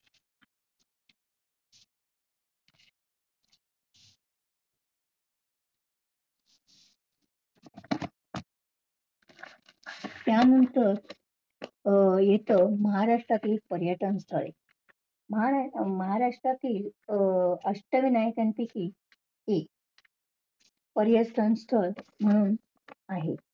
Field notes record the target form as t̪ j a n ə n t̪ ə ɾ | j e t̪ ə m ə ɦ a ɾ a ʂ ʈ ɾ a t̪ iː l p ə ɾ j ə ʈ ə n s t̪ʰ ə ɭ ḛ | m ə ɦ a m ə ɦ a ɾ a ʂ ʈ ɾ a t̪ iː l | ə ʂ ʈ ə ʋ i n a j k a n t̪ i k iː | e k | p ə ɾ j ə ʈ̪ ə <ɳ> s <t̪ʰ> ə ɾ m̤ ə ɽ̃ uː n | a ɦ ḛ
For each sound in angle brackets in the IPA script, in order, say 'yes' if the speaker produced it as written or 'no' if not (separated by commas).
no, yes